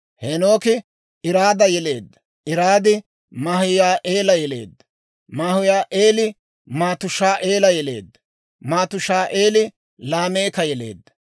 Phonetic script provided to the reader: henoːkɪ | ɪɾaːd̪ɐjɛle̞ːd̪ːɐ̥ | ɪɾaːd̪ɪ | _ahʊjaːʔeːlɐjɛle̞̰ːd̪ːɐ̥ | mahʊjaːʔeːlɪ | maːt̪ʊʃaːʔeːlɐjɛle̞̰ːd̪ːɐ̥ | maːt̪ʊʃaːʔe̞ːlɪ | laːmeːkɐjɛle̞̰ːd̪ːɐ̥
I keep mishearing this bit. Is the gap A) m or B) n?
A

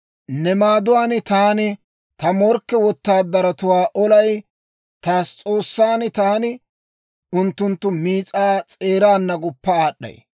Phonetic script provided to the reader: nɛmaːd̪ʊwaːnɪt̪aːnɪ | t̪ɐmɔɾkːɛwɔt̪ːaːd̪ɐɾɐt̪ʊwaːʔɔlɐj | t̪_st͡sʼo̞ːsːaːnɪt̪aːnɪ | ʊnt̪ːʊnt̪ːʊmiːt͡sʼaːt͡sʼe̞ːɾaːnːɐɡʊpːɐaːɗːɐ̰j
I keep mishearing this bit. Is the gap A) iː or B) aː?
B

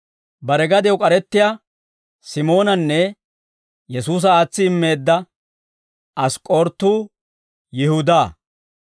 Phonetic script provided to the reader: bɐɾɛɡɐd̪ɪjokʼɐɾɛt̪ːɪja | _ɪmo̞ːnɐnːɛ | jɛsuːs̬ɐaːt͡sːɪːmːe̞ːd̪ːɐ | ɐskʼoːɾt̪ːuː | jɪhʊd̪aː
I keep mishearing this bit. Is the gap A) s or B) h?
A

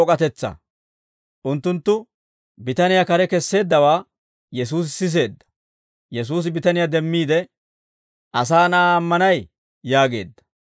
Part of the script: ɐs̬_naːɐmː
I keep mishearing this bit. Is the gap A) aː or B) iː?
A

